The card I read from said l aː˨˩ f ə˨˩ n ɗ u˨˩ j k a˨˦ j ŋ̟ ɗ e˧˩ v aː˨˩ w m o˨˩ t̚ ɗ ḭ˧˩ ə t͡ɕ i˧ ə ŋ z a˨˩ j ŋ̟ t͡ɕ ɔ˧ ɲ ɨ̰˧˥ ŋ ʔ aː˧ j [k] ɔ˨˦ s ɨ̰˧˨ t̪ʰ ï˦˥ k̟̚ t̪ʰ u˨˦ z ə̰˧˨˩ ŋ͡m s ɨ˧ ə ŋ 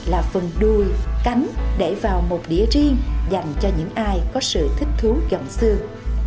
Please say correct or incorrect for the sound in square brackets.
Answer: correct